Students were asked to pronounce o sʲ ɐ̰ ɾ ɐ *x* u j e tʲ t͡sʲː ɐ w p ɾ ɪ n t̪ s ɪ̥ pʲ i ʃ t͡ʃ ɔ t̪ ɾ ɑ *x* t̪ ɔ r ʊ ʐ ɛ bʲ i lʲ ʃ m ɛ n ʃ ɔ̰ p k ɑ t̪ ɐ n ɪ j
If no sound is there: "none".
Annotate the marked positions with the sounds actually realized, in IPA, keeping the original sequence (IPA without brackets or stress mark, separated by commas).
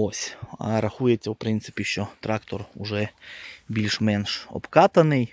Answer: x, k